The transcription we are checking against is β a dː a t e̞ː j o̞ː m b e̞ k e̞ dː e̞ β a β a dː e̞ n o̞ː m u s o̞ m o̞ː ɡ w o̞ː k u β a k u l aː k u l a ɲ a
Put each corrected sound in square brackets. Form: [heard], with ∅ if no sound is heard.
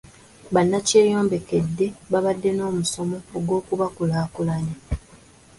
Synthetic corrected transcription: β a [nː] a [c] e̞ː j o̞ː m b e̞ k e̞ dː e̞ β a β a dː e̞ n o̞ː m u s o̞ m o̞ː ɡ w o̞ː k u β a k u l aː k u l a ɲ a